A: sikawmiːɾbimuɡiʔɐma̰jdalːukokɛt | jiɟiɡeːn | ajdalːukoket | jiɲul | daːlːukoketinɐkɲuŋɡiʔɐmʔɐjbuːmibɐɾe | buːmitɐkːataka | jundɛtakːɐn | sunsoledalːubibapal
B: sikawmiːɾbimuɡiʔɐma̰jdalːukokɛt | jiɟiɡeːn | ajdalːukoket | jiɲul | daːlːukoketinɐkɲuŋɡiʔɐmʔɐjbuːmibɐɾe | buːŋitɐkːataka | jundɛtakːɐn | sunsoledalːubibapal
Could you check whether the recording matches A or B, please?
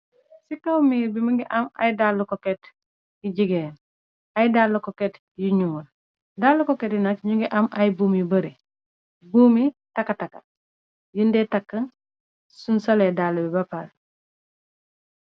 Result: A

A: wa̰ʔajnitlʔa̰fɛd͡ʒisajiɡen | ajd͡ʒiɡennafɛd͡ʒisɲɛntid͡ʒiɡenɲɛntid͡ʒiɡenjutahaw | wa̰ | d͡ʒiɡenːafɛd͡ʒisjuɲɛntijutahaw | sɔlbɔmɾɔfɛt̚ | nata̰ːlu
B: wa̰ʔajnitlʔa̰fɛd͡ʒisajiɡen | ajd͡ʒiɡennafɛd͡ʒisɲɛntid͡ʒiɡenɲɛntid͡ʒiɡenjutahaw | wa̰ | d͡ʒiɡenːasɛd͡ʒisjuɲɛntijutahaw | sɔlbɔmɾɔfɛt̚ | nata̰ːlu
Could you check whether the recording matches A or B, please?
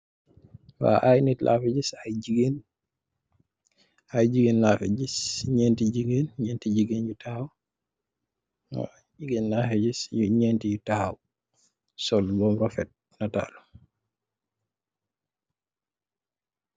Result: A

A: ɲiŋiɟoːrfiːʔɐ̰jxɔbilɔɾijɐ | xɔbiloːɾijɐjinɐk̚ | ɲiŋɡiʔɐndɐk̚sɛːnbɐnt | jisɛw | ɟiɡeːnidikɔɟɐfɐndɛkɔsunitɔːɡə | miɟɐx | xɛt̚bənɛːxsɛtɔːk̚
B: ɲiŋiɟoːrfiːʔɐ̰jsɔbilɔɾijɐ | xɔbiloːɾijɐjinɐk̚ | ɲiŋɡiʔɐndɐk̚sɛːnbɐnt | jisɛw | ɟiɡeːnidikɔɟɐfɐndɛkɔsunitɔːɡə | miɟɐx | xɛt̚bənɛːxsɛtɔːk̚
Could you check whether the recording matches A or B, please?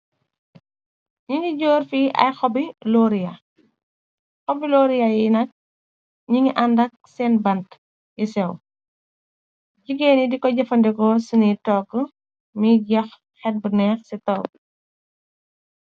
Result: A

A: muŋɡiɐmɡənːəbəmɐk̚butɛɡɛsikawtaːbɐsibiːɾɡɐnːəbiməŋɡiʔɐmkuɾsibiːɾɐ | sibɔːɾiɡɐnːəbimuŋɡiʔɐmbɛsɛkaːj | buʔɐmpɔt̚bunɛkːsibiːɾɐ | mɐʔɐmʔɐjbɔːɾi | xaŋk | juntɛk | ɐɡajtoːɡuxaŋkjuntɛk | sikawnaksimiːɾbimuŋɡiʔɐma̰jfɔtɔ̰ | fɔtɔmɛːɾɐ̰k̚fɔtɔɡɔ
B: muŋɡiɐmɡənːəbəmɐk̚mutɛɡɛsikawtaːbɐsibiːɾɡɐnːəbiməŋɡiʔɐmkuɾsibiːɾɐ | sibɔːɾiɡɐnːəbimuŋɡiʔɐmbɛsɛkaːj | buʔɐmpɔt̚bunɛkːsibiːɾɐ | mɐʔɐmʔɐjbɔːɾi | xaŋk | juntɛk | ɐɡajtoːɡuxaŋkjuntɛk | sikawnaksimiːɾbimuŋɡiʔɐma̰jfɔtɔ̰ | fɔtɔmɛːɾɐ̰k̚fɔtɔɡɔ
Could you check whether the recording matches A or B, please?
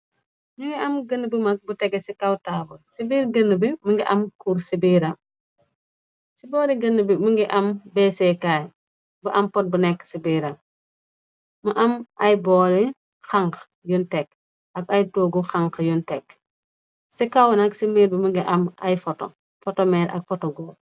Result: A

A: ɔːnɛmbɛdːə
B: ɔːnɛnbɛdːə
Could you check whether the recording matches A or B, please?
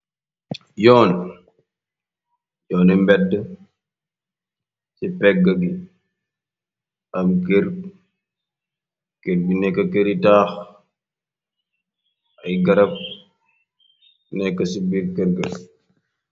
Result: A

